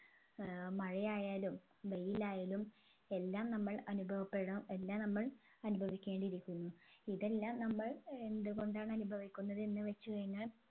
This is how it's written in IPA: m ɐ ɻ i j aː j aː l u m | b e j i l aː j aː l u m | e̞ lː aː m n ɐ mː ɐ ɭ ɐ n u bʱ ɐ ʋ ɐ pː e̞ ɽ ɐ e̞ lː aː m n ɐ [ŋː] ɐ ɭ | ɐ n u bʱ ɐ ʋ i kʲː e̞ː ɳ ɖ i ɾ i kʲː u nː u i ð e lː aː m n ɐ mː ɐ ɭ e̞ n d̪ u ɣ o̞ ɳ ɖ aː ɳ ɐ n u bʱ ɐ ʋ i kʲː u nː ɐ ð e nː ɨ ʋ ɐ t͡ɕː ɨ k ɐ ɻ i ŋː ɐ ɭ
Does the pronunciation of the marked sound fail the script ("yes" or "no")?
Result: yes